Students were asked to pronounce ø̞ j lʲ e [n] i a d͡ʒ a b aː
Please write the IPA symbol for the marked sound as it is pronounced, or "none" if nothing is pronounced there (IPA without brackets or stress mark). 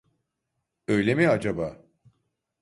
m